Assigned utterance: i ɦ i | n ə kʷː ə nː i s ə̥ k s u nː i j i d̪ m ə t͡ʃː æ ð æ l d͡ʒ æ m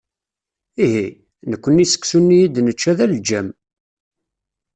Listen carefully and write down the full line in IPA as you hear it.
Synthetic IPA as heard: i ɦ i | n ə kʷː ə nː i s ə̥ k s u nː i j i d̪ n ə t͡ʃː æ ð æ l d͡ʒ æ m